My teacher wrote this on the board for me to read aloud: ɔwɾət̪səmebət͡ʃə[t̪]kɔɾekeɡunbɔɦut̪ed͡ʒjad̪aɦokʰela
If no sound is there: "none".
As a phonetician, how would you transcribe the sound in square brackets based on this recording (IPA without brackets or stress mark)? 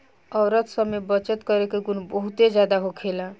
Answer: t̪